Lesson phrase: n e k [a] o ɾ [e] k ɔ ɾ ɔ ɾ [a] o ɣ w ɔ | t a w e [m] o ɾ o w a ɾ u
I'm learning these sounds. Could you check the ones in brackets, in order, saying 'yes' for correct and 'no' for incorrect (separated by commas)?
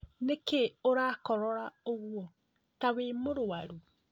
no, no, yes, yes